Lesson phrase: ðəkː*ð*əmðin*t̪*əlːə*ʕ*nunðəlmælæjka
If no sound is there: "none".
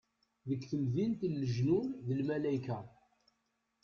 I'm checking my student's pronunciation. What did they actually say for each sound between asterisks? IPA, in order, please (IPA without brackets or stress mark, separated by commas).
θ, t̪, ʒ